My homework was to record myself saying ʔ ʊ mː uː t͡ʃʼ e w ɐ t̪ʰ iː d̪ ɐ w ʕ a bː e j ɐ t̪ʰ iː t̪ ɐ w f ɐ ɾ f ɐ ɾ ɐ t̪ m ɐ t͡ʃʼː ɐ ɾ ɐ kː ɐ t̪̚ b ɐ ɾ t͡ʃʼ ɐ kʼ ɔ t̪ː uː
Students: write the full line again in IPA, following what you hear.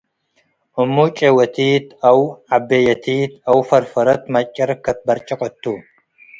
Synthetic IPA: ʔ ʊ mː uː t͡ʃʼ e w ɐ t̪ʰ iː t̪ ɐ w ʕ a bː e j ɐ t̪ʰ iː t̪ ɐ w f ɐ ɾ f ɐ ɾ ɐ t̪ m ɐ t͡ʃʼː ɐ ɾ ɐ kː ɐ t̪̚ b ɐ ɾ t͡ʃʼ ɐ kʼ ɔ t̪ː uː